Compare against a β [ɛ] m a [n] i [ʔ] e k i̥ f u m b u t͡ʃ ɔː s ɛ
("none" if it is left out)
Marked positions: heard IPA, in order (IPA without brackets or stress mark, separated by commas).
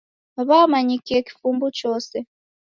a, ɲ, k